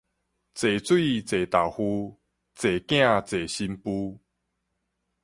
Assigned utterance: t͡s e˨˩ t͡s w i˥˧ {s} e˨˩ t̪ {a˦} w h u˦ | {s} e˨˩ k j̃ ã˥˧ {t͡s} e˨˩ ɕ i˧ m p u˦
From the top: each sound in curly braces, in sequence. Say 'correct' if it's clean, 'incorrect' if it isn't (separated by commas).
incorrect, incorrect, incorrect, correct